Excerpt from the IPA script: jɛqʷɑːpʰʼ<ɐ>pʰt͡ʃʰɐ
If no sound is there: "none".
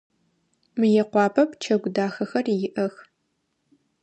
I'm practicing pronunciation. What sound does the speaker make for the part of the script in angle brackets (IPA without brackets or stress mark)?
ɐ